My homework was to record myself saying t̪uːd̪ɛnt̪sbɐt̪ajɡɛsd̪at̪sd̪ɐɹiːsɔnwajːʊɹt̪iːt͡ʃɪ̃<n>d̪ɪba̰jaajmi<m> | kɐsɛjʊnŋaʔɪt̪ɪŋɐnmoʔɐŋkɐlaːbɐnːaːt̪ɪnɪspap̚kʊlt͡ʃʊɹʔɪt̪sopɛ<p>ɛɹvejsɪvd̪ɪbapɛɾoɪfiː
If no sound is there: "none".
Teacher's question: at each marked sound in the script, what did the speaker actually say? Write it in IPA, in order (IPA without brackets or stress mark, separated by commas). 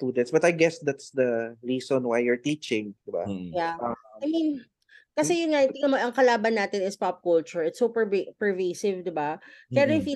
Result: ŋ, n, p